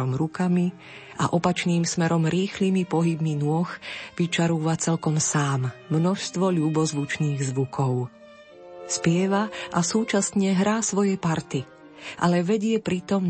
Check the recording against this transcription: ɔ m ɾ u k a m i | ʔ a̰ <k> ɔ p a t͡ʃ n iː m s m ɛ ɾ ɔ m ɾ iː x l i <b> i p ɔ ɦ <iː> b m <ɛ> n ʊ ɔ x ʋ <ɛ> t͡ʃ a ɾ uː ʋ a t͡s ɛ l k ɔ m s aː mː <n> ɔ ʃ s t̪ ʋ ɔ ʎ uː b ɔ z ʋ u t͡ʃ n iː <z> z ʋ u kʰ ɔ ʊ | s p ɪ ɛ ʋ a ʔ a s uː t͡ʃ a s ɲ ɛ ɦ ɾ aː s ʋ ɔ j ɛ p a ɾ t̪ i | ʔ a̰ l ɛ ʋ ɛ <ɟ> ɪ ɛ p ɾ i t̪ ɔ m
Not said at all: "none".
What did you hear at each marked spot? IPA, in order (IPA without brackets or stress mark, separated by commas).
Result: ʔ, m, i, i, i, n, ɣ, ɟ